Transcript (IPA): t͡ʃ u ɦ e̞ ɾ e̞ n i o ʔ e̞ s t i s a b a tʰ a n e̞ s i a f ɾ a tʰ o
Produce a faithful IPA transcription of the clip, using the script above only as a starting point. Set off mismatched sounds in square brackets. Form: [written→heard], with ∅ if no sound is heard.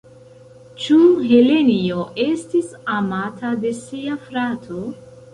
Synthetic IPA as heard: t͡ʃ u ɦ e̞ [ɾ→l] e̞ n i o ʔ e̞ s t i s a [b→m] a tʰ a [n→d] e̞ s i a f ɾ a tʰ o